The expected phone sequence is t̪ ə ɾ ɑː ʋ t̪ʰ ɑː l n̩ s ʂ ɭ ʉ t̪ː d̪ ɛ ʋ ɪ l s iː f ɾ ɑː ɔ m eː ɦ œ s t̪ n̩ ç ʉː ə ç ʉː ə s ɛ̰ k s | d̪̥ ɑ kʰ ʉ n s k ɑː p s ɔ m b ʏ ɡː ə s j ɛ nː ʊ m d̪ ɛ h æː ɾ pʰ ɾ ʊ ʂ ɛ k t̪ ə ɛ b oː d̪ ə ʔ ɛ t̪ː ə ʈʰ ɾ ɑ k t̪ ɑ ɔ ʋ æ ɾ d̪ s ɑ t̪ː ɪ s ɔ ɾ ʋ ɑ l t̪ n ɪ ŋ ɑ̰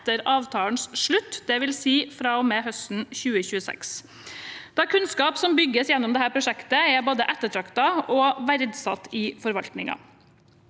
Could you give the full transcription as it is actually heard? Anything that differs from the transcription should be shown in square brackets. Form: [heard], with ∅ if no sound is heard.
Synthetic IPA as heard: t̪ ə ɾ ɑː ʋ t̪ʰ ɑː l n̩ s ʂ ɭ ʉ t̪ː d̪ ɛ ʋ ɪ l s iː f ɾ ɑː ɔ m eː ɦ œ s t̪ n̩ ç ʉː ə ç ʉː ə s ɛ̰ k s | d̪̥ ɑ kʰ ʉ n s k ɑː p s ɔ m b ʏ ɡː ə s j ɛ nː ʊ m d̪ ɛ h æː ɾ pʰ ɾ ʊ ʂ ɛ k t̪ ə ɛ b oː d̪ ə ʔ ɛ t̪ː ə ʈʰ ɾ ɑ k t̪ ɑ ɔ ʋ æ ɾ d̪ s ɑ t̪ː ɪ [f] ɔ ɾ ʋ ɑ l t̪ n ɪ ŋ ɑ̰